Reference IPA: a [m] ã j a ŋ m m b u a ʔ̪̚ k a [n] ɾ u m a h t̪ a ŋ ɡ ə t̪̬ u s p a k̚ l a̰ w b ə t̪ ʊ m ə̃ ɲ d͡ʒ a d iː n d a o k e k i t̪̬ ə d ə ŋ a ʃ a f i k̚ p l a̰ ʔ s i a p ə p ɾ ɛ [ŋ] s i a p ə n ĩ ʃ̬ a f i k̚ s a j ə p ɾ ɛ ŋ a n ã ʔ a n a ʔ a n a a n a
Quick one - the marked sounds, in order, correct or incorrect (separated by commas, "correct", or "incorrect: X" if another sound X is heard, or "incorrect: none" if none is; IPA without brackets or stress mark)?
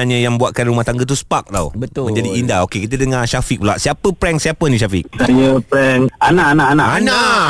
incorrect: ɲ, correct, correct